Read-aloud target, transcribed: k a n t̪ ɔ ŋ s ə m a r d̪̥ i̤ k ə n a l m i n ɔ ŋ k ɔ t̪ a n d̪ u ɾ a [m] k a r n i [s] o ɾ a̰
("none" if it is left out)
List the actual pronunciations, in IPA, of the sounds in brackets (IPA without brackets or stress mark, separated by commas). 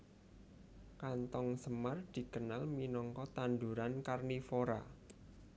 n, f